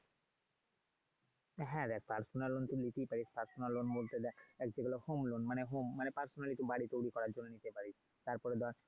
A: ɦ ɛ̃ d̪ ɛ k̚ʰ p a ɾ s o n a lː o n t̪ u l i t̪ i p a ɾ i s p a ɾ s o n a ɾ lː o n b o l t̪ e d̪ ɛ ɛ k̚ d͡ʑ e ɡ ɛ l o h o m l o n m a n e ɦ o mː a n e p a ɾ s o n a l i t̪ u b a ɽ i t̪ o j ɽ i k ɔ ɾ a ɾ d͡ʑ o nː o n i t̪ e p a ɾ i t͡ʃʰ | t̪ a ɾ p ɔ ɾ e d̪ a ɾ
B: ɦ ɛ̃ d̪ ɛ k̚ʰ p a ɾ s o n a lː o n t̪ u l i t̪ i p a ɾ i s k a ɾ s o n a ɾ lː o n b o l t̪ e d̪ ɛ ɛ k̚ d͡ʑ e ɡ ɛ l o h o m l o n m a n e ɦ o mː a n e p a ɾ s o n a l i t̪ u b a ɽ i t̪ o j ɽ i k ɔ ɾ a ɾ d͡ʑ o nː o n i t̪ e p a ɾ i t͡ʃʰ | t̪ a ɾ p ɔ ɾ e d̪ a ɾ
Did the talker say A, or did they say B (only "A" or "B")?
A